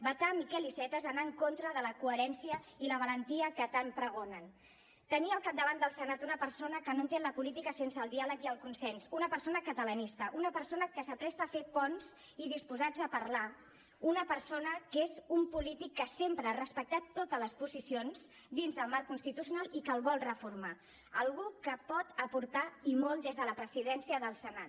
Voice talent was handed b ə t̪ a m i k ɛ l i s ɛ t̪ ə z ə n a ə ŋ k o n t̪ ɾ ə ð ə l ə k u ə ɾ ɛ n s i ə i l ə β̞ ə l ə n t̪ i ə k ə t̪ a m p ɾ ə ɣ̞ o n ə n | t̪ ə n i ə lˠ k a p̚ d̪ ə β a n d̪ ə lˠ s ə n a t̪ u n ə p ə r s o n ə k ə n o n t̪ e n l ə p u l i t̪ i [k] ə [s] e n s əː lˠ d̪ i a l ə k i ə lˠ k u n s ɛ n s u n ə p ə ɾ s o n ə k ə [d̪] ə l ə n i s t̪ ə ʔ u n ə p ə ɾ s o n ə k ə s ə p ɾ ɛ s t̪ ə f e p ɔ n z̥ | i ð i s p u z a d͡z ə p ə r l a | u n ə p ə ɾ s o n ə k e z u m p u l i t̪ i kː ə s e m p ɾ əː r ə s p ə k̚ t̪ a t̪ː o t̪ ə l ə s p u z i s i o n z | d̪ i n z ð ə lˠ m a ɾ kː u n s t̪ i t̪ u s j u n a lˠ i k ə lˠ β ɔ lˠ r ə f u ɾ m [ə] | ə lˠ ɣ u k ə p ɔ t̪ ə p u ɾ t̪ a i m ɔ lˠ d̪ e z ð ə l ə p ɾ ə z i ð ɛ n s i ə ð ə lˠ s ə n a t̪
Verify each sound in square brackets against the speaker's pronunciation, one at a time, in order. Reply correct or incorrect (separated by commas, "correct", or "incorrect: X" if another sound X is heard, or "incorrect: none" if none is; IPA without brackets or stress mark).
correct, correct, incorrect: t̪, incorrect: a